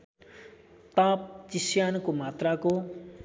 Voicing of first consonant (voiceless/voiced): voiceless